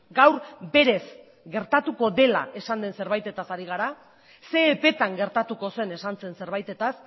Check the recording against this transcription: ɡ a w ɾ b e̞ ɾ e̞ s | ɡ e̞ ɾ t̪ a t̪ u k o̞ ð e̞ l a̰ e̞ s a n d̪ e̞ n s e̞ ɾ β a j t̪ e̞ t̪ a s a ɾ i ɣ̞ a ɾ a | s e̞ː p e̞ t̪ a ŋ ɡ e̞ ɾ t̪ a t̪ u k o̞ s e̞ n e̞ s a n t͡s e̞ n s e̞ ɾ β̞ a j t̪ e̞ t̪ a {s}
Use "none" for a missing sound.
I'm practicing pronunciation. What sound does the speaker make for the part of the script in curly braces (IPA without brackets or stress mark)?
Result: s